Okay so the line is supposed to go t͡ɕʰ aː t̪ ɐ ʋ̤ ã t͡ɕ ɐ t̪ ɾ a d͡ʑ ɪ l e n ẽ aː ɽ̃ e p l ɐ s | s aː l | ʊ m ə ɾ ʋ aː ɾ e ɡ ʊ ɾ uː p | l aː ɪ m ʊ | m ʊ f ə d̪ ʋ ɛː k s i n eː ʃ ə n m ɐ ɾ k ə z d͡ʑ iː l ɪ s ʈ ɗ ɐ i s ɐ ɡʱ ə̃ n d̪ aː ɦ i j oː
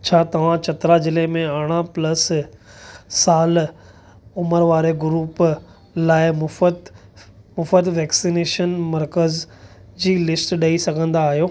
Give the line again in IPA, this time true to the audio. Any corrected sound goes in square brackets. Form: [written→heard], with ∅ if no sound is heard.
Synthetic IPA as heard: t͡ɕʰ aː t̪ ɐ ʋ̤ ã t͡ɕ ɐ t̪ ɾ a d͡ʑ ɪ l e [n→m] ẽ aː ɽ̃ [e→a] p l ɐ s | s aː l | ʊ m ə ɾ ʋ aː ɾ e ɡ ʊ ɾ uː p | l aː ɪ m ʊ | m ʊ f ə d̪ ʋ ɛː k s i n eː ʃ ə n m ɐ ɾ k ə z d͡ʑ iː l ɪ s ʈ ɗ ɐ i s ɐ ɡʱ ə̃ n d̪ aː ɦ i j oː